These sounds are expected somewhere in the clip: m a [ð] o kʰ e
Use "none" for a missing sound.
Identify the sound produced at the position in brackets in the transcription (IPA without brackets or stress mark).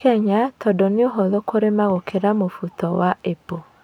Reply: ɣ